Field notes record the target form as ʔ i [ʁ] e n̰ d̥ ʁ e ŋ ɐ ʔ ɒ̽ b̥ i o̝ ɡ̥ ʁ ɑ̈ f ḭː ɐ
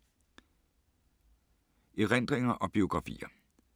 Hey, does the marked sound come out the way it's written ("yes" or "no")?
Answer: yes